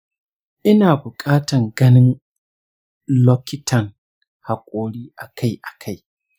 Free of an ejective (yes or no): no